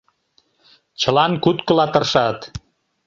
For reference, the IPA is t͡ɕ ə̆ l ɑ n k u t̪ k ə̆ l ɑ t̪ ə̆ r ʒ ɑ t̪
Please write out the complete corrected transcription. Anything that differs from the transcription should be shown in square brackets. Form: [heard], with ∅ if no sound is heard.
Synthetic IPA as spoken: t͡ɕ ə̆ l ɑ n k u t̪ k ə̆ l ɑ t̪ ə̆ r [ʃ] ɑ t̪